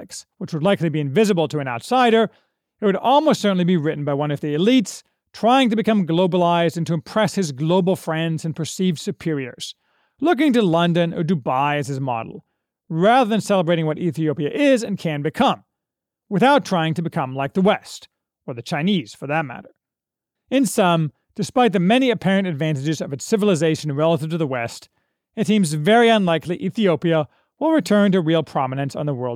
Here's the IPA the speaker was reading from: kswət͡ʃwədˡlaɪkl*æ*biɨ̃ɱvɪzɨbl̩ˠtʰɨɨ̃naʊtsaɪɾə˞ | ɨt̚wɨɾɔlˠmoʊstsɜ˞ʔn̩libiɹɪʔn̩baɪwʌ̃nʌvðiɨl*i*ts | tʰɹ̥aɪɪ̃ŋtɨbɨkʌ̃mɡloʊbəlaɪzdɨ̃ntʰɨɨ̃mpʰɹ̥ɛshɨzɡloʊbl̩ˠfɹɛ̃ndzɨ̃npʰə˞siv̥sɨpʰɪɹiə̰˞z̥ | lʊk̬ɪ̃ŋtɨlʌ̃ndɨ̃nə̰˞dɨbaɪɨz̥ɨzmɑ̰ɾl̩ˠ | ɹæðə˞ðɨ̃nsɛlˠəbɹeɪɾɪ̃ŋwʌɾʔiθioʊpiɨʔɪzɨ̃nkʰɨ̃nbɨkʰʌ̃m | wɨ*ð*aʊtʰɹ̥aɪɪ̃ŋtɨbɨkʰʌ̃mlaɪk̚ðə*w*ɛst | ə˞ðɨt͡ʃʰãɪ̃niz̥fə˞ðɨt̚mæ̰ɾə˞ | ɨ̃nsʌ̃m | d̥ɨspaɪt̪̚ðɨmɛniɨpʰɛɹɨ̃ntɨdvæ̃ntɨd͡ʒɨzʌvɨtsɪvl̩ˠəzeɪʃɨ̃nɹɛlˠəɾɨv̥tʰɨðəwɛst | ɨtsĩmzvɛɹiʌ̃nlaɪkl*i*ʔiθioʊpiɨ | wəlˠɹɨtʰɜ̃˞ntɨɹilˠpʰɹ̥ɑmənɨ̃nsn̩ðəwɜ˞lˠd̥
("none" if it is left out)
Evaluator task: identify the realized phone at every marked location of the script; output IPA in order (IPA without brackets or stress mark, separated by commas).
i, i, θ, w, i